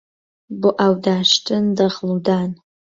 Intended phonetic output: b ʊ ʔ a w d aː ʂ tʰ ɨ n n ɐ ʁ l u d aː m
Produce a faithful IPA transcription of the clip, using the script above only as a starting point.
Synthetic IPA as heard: b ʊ ʔ a w d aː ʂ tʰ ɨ n d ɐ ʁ l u d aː n